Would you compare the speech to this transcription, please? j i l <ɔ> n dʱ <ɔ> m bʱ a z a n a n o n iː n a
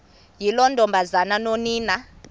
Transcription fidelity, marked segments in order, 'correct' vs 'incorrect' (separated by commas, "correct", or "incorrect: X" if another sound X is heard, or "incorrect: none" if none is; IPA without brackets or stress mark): correct, correct